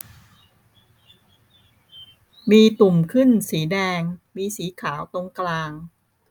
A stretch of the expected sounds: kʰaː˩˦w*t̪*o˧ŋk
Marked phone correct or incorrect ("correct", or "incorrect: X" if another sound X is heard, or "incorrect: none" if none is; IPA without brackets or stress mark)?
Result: correct